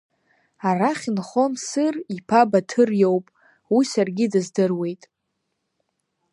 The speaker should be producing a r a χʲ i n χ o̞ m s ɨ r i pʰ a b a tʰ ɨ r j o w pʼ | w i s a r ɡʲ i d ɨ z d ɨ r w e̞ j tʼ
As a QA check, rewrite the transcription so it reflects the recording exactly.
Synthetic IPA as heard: a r a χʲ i n χ o̞ m s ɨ r i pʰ a b a tʰ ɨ r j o w pʼ | w i s a r ɡʲ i d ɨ z d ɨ r w e̞ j tʼ